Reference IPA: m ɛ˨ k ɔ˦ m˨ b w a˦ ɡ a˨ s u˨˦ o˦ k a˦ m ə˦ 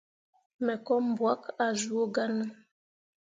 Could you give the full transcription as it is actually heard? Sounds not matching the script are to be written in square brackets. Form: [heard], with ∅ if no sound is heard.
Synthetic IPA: m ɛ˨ k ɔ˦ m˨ b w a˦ [k] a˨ [z] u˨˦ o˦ [ɡ] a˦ [n] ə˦